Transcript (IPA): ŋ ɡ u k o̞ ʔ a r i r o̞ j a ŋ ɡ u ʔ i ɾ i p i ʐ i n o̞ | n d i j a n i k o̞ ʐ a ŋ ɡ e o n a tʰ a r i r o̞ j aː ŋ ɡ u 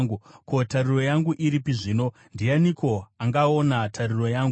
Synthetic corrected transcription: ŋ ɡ u k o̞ t a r i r o̞ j a ŋ ɡ u ʔ i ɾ i p i ʐ i n o̞ | n d i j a n i k o̞ a ŋ ɡ a o n a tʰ a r i r o̞ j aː ŋ ɡ u